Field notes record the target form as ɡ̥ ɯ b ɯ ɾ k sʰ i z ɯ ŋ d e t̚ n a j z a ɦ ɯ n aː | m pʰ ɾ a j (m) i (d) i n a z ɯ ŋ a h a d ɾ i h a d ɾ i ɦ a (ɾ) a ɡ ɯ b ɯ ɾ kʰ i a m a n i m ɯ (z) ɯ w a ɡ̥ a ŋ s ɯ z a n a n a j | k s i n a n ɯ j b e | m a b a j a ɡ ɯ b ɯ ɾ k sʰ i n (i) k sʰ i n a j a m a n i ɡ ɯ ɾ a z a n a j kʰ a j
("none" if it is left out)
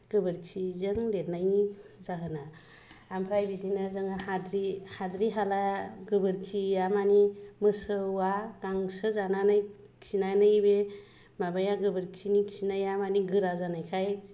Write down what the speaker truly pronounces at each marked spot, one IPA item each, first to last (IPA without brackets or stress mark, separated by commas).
b, d, l, s, i